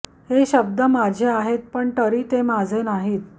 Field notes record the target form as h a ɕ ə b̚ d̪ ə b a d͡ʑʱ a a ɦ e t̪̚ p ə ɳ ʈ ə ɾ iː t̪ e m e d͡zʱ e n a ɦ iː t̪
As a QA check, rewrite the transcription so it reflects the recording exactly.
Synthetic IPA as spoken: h e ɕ ə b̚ d̪ ə m a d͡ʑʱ e a ɦ e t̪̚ p ə ɳ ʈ ə ɾ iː t̪ e m a d͡zʱ e n a ɦ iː t̪